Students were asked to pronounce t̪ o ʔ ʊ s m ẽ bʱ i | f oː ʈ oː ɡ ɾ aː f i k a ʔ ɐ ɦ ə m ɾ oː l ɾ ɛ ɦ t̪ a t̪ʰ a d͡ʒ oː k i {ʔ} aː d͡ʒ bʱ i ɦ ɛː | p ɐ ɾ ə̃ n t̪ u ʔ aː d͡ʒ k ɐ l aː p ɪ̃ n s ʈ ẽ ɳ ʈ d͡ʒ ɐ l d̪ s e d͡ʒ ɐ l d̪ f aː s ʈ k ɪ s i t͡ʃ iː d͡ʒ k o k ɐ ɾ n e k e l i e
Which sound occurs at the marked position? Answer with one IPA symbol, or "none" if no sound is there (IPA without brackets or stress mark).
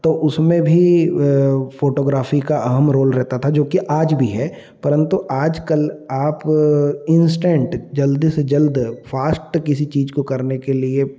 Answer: ʔ